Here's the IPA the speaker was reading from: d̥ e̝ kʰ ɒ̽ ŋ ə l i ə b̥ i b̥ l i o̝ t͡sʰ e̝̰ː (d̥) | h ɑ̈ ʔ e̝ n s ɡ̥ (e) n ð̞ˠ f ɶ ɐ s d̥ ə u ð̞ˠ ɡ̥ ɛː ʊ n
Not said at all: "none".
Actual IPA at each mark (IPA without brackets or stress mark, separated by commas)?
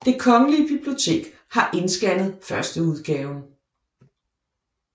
ɡ̥, æ